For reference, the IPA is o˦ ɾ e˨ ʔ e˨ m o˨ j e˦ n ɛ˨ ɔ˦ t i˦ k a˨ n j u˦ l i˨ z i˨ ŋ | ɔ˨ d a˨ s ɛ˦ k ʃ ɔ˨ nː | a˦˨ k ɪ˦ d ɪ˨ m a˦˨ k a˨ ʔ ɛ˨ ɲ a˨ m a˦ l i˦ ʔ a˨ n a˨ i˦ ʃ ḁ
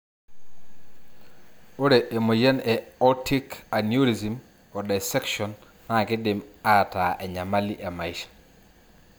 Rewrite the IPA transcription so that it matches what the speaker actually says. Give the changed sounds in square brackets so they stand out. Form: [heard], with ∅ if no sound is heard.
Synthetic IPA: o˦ ɾ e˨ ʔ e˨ m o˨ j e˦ n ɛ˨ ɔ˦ t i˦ k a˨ n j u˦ [ɾ] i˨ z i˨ [m] | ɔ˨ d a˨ s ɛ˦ k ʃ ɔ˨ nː | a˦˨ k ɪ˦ d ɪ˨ m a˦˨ [t] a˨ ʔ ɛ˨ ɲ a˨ m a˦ l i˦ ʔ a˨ [m] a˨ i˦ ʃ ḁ